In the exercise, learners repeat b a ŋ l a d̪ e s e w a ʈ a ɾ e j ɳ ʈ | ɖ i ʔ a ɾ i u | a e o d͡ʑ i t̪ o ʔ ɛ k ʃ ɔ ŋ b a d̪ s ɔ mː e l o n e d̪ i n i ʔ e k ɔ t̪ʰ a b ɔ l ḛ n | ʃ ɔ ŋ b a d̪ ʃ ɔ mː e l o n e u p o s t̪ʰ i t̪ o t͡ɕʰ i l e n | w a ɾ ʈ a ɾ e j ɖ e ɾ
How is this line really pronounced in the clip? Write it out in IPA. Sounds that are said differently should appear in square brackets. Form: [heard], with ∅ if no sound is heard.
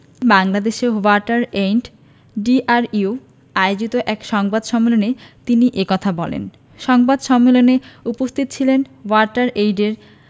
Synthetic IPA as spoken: b a ŋ l a d̪ e [ʃ] e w a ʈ a ɾ e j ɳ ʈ | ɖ i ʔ a ɾ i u | a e o d͡ʑ i t̪ o ʔ ɛ k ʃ ɔ ŋ b a d̪ [ʃ] ɔ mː e l o n e [t̪] i n i ʔ e k ɔ t̪ʰ a b ɔ l ḛ n | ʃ ɔ ŋ b a d̪ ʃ ɔ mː e l o n e u p o s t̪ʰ i t̪ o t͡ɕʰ i l e n | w a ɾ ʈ a ɾ e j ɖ e ɾ